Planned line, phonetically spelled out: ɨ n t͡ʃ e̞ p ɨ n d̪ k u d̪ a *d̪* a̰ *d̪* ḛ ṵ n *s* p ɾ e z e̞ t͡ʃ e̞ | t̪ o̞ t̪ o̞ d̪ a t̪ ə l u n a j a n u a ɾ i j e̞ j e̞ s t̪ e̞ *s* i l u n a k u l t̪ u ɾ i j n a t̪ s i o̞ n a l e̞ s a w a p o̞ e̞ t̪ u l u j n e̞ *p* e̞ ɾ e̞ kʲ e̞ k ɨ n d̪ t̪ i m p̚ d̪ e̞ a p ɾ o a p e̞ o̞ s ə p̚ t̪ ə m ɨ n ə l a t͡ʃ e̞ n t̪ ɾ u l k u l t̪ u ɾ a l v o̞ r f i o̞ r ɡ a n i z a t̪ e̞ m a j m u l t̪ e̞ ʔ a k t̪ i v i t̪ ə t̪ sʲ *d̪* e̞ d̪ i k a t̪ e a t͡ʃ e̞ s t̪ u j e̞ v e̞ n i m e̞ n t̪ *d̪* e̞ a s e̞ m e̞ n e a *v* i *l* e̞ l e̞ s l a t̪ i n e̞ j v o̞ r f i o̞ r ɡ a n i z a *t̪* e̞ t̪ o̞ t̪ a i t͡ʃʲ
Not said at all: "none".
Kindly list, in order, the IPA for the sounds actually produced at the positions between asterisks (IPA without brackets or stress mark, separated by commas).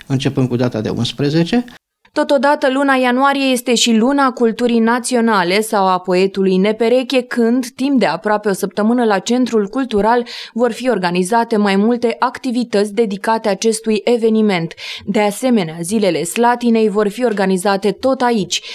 t̪, d̪, s, ʃ, p, d̪, d̪, z, l, t̪